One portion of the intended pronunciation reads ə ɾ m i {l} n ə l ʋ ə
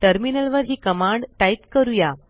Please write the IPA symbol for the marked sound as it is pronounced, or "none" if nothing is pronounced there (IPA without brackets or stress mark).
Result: none